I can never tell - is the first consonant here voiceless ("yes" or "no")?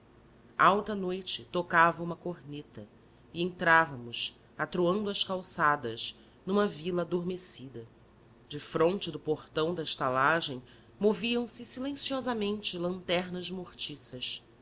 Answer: no